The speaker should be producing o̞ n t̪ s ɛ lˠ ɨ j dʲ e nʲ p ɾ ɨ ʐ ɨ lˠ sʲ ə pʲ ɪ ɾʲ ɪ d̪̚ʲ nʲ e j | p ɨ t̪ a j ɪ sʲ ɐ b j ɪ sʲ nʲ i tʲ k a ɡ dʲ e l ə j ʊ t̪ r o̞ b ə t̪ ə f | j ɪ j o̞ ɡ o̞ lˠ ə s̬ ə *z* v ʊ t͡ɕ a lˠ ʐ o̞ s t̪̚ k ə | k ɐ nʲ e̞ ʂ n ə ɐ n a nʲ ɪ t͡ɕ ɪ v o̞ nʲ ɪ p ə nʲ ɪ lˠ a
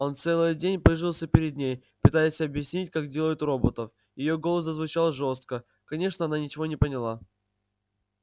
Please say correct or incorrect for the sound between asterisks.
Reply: correct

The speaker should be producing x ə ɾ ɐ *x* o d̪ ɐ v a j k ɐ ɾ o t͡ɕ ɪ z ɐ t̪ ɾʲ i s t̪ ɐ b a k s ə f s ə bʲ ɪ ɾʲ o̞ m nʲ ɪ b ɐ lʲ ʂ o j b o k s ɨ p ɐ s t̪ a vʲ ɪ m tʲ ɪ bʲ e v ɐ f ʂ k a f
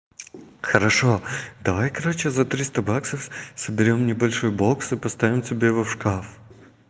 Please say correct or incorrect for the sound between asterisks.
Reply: incorrect: ʂ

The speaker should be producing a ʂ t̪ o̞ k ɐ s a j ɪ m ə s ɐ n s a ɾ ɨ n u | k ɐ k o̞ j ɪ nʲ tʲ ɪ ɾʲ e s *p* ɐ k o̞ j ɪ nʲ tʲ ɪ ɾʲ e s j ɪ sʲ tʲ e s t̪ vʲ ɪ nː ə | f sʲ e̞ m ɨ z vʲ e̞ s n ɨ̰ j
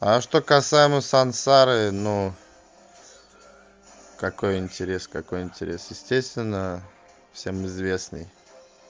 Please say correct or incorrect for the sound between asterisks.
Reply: incorrect: k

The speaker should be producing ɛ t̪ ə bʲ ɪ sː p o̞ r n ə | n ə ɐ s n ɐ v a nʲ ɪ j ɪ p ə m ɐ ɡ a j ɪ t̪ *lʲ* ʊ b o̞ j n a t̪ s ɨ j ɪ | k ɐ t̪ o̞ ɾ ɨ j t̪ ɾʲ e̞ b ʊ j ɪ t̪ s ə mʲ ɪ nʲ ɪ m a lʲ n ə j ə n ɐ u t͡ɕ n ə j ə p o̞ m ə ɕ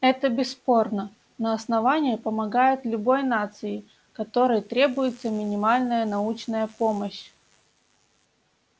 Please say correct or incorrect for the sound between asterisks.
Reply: correct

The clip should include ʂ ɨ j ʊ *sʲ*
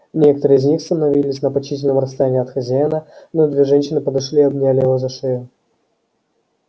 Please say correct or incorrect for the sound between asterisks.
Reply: incorrect: none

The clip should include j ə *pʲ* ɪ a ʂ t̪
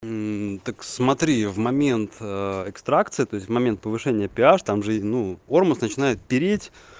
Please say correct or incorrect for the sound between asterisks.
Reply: correct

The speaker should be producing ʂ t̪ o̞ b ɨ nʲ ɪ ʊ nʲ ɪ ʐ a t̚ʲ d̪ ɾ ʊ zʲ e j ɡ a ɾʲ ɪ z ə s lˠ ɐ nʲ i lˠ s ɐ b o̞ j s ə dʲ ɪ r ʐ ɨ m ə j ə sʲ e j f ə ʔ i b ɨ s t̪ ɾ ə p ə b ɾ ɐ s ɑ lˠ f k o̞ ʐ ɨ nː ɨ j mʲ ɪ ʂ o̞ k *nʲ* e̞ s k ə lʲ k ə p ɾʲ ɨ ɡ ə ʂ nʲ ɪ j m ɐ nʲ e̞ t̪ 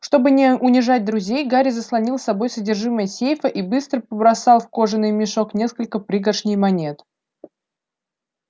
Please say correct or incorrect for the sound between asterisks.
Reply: correct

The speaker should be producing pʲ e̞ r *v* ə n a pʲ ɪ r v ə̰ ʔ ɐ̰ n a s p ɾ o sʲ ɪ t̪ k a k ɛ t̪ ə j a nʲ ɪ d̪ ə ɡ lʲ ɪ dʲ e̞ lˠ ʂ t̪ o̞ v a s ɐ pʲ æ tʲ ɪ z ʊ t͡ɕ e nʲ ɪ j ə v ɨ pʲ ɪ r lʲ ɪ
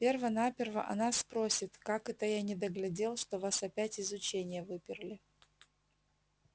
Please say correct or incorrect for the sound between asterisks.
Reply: correct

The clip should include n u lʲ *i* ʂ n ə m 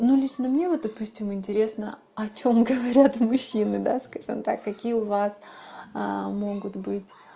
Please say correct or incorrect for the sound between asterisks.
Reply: correct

